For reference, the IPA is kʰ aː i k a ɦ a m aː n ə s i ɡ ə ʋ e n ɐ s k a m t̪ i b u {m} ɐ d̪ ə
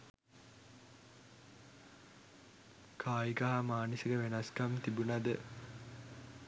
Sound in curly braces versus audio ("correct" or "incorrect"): incorrect